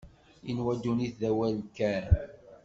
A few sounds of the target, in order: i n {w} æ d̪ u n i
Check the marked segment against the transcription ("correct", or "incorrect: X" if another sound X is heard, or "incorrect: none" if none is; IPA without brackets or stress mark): correct